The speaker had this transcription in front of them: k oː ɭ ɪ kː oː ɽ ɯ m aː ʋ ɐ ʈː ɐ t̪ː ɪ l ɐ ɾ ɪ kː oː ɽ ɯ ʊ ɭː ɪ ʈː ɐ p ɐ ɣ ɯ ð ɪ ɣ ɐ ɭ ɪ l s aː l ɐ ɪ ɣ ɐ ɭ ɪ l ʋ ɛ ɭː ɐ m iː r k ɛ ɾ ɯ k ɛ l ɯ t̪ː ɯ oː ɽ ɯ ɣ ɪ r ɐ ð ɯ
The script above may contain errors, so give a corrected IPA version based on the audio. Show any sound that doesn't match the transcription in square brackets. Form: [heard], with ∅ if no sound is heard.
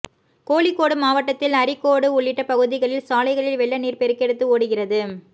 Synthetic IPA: k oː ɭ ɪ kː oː ɽ ɯ m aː ʋ ɐ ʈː ɐ t̪ː ɪ l ɐ ɾ ɪ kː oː ɽ ɯ ʊ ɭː ɪ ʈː ɐ p ɐ ɣ ɯ ð ɪ ɣ ɐ ɭ ɪ l s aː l ɐ ɪ ɣ ɐ ɭ ɪ l ʋ ɛ ɭː ɐ [n] iː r [p] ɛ ɾ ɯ k ɛ [ɽ] ɯ t̪ː ɯ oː ɽ ɯ ɣ ɪ r ɐ ð ɯ

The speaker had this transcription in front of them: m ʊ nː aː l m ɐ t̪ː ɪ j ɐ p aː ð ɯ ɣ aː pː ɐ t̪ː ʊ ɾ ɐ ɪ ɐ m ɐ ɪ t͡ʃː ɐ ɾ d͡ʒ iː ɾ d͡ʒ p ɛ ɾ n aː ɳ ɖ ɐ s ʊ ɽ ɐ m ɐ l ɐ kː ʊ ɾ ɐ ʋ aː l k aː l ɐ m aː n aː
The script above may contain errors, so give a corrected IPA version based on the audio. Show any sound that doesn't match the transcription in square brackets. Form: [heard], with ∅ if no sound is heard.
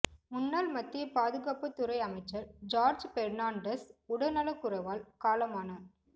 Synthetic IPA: m ʊ nː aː l m ɐ t̪ː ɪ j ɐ p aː ð ɯ ɣ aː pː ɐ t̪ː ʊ ɾ ɐ ɪ ɐ m ɐ ɪ t͡ʃː ɐ ɾ d͡ʒ [aː] ɾ d͡ʒ p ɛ ɾ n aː ɳ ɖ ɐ s ʊ ɽ ɐ [n] ɐ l ɐ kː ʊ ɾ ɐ ʋ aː l k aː l ɐ m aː n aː

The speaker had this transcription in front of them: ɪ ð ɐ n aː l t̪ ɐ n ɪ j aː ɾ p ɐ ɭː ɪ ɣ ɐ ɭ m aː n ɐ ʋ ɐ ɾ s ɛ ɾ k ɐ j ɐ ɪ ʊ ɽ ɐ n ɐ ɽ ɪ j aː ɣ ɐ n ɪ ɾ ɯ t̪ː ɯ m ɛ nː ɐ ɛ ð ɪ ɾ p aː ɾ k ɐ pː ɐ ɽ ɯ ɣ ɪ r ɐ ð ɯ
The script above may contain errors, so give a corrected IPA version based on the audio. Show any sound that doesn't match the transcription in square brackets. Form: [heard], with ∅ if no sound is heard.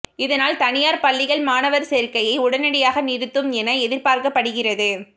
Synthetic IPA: ɪ ð ɐ n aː l t̪ ɐ n ɪ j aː ɾ p ɐ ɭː ɪ ɣ ɐ ɭ m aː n ɐ ʋ ɐ ɾ s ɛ ɾ k ɐ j ɐ ɪ ʊ ɽ ɐ n ɐ ɽ ɪ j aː ɣ ɐ n ɪ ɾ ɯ t̪ː ɯ m ɛ [n] ɐ ɛ ð ɪ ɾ p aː ɾ k ɐ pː ɐ ɽ ɯ ɣ ɪ r ɐ ð ɯ

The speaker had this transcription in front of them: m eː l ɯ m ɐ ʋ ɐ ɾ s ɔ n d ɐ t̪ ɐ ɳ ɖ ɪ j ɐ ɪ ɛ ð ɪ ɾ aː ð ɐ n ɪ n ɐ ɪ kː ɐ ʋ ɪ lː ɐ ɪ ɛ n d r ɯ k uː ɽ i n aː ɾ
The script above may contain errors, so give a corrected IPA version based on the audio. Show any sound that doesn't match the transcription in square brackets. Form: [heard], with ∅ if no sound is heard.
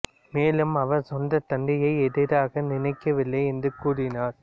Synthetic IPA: m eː l ɯ m ɐ ʋ ɐ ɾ s ɔ n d ɐ t̪ ɐ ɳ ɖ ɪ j ɐ ɪ ɛ ð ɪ ɾ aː [ɣ] ɐ n ɪ n ɐ ɪ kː ɐ ʋ ɪ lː ɐ ɪ ɛ n d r ɯ k uː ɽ [ɪ] n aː ɾ

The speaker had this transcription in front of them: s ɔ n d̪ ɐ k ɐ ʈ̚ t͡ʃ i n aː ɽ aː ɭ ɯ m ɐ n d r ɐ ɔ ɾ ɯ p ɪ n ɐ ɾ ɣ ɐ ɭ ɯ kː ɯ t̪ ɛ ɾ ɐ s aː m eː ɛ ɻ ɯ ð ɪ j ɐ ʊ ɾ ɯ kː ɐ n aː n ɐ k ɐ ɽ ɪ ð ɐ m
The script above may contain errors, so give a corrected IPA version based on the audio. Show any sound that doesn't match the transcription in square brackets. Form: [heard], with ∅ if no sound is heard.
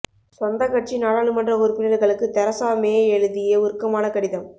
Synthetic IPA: s ɔ n d̪ ɐ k ɐ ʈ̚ t͡ʃ i n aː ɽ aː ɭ ɯ m ɐ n d r ɐ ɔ ɾ ɯ p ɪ n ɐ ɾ ɣ ɐ ɭ ɯ kː ɯ t̪ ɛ ɾ ɐ s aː m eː ɛ ɻ ɯ ð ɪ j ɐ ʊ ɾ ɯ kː ɐ [m] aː n ɐ k ɐ ɽ ɪ ð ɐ m

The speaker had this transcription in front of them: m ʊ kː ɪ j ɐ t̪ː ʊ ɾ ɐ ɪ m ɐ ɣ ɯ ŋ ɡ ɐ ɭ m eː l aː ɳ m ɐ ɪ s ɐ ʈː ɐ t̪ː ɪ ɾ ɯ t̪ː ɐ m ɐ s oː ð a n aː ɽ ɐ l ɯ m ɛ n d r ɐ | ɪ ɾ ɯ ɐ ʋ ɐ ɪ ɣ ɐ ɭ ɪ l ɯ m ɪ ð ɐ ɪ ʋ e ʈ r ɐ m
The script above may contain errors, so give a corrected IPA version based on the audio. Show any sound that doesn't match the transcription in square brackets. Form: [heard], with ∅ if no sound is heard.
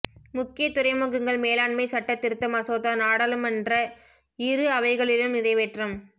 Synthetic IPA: m ʊ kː ɪ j ɐ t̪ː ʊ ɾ ɐ ɪ m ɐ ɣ ɯ ŋ ɡ ɐ ɭ m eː l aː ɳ m ɐ ɪ s ɐ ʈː ɐ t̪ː ɪ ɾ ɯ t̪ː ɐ m ɐ s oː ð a n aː ɽ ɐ l ɯ m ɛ n d r ɐ | ɪ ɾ ɯ ɐ ʋ ɐ ɪ ɣ ɐ ɭ ɪ l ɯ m ɪ ð ɐ ɪ ʋ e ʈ r ɐ m

